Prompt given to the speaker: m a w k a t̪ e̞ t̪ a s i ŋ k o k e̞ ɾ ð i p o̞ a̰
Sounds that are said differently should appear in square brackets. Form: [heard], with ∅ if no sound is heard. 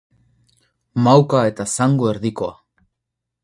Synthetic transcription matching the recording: m a w k a [∅] e̞ t̪ a s [a] ŋ [ɡ] o [∅] e̞ ɾ ð i [k] o̞ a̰